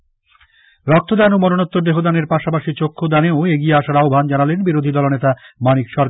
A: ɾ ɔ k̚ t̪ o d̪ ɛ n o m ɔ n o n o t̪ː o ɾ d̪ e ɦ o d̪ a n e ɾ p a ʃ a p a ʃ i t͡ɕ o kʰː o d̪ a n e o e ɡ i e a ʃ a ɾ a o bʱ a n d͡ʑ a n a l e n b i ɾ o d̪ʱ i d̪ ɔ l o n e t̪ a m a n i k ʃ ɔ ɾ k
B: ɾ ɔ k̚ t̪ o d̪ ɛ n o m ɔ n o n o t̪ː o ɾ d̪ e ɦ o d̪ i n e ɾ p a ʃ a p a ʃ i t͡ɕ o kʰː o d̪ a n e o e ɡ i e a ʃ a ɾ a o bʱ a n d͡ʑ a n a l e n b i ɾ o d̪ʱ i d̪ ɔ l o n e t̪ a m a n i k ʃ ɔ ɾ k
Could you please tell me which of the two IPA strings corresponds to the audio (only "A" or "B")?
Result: A